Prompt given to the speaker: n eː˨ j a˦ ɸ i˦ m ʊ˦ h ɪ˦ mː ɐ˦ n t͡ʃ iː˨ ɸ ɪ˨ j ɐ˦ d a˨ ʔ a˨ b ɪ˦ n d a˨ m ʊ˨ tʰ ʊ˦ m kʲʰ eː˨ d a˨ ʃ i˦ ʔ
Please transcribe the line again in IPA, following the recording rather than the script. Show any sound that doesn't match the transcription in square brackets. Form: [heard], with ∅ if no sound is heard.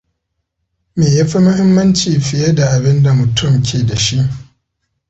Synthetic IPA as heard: [m] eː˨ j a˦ ɸ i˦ m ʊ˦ h ɪ˦ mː ɐ˦ n t͡ʃ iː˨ ɸ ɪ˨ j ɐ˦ d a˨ ʔ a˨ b ɪ˦ n d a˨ m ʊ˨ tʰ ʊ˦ m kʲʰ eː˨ d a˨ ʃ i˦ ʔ